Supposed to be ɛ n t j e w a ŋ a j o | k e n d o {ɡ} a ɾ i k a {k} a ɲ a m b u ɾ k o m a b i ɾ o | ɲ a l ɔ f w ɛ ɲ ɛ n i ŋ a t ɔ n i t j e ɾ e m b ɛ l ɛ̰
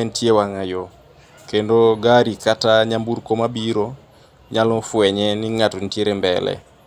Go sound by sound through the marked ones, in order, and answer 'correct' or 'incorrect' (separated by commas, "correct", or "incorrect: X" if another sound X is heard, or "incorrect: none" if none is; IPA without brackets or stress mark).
correct, incorrect: t